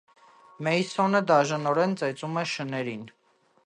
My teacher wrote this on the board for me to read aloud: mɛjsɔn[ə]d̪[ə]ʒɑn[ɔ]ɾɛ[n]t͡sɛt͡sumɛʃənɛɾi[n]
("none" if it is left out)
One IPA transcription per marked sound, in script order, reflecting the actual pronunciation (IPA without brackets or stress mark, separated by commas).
ə, ɑ, ɔ, n, n